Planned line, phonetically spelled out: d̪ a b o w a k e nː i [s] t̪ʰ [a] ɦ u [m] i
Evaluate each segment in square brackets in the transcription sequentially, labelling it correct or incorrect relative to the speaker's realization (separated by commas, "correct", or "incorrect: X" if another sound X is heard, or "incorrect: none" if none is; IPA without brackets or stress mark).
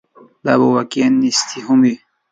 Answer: correct, incorrect: i, correct